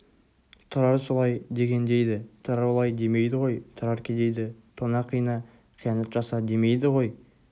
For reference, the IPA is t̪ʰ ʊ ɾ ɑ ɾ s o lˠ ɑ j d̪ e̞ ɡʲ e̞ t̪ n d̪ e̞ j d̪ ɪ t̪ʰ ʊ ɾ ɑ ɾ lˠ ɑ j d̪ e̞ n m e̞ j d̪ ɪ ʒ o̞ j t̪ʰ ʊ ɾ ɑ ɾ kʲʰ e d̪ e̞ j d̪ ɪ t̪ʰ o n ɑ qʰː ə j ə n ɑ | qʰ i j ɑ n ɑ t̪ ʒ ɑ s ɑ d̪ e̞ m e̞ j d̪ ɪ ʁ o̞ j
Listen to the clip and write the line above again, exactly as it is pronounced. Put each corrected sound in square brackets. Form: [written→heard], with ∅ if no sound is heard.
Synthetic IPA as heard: t̪ʰ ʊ ɾ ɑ ɾ s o lˠ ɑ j d̪ e̞ ɡʲ e̞ [t̪→∅] n d̪ e̞ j d̪ ɪ t̪ʰ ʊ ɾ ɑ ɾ lˠ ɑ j d̪ e̞ [n→∅] m e̞ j d̪ ɪ [ʒ→ʁ] o̞ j t̪ʰ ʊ ɾ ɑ ɾ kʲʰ e d̪ e̞ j d̪ ɪ t̪ʰ o n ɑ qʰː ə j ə n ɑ | qʰ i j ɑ n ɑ t̪ ʒ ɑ s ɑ d̪ e̞ m e̞ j d̪ ɪ ʁ o̞ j